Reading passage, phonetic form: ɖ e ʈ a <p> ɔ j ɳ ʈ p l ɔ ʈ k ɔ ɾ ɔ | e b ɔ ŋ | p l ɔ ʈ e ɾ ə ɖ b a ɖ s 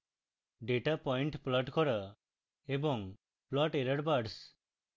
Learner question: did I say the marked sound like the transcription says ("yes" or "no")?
yes